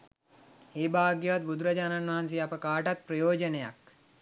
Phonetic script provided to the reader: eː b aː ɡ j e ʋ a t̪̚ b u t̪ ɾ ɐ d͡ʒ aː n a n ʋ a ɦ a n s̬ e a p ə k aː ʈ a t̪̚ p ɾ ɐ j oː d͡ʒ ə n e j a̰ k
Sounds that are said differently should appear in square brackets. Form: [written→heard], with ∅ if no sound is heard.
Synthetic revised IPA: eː b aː ɡ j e ʋ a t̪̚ b u [t̪→d̪] ɾ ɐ d͡ʒ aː n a n ʋ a ɦ a n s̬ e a p ə k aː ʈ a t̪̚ p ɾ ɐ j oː d͡ʒ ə n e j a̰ k